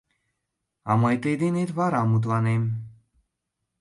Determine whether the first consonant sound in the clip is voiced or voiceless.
voiced